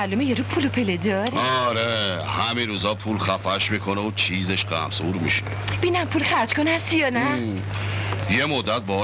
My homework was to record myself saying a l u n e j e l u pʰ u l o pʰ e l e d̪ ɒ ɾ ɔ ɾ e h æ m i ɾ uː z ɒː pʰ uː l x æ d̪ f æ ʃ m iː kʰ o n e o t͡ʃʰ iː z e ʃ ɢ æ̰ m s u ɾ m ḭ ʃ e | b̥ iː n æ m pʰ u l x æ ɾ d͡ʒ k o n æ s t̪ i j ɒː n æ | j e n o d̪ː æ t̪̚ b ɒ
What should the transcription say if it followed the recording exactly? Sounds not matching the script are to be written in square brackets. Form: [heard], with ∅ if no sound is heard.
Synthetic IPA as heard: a l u [m] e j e [ɾ] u pʰ u l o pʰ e l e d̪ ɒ ɾ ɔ ɾ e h æ m i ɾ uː z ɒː pʰ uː l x æ [∅] f æ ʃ m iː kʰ o n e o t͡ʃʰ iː z e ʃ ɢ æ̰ m s u ɾ m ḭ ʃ e | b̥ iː n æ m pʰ u l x æ ɾ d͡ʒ k o n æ s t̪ i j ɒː n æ | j e [m] o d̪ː æ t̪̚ b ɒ